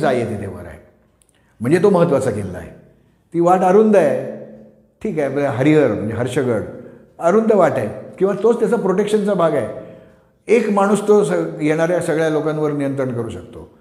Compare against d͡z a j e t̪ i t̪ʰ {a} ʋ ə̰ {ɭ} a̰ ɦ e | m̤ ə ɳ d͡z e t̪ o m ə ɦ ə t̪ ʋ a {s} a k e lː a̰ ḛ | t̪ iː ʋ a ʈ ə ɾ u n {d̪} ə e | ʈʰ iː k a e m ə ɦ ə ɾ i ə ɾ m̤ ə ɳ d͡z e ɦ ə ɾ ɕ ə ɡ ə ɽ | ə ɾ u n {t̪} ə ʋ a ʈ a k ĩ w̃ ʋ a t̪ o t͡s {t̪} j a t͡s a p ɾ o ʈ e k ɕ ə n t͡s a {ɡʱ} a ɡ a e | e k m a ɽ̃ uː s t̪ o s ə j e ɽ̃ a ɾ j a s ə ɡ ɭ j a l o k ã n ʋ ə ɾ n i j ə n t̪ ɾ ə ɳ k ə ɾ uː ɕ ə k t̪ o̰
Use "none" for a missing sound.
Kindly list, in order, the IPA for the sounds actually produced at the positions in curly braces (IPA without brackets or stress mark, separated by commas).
e, ɾ, t͡s, d̪, d̪, t̪, bʱ